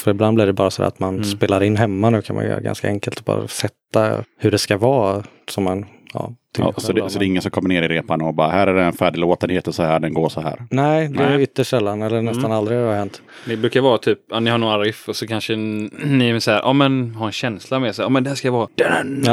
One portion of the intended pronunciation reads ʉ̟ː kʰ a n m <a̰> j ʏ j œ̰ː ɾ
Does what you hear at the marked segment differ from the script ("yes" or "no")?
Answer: no